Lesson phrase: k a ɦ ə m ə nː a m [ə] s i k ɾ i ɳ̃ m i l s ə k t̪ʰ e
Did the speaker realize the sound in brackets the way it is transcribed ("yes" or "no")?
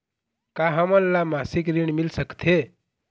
no